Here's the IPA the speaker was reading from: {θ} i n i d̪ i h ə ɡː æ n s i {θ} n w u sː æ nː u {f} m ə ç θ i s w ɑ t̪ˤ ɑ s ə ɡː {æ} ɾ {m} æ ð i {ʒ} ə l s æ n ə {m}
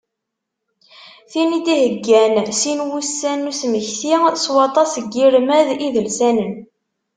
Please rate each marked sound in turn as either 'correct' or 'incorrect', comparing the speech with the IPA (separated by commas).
correct, incorrect, incorrect, incorrect, correct, incorrect, incorrect